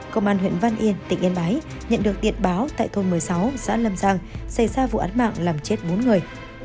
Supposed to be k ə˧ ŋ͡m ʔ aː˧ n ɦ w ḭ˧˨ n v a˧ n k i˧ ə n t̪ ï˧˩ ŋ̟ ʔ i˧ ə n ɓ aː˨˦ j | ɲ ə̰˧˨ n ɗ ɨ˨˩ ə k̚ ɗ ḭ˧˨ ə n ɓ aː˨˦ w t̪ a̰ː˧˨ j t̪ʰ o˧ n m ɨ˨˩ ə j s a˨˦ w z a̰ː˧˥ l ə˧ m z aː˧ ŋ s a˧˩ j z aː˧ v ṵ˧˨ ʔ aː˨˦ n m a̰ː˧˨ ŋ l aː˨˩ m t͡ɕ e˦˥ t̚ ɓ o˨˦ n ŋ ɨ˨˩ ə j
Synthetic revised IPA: k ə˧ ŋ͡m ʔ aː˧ n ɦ w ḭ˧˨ n v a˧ n ʔ i˧ ə n t̪ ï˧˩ ŋ̟ ʔ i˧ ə n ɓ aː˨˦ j | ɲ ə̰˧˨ n ɗ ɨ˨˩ ə k̚ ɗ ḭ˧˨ ə n ɓ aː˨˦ w t̪ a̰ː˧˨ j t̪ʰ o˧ n m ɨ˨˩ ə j s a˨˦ w z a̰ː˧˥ l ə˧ m z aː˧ ŋ s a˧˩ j z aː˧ v ṵ˧˨ ʔ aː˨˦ n m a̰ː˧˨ ŋ l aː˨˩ m t͡ɕ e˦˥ t̚ ɓ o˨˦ n ŋ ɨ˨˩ ə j